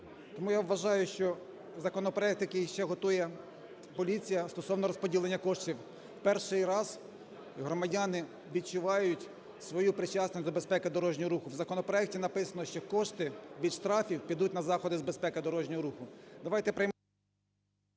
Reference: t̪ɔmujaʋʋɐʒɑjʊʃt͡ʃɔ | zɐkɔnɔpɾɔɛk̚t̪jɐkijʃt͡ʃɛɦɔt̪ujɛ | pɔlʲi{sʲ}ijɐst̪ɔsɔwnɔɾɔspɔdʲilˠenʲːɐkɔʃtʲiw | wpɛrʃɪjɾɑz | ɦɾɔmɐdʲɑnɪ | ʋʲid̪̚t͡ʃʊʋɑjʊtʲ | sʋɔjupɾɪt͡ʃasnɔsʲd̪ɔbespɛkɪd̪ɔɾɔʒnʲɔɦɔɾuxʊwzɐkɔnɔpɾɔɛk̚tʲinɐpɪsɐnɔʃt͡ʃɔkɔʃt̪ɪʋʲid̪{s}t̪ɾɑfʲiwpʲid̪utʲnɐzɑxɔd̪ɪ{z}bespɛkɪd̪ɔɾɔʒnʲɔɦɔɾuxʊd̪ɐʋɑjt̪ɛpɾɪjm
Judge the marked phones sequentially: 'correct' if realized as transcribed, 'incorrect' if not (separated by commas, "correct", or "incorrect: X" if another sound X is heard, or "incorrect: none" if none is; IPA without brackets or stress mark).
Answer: incorrect: t͡sʲ, incorrect: ʃ, correct